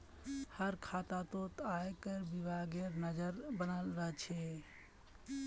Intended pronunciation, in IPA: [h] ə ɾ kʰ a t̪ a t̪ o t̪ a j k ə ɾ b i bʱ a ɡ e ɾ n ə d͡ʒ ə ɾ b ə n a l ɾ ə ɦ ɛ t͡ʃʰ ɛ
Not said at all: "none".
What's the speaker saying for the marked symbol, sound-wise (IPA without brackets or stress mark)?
h